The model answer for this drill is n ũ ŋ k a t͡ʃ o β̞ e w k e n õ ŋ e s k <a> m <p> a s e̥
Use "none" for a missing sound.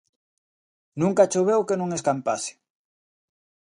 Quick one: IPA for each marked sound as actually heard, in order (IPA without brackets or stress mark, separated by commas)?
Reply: a, p